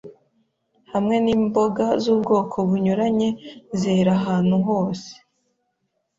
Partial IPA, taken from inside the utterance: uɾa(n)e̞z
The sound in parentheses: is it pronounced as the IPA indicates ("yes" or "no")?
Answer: no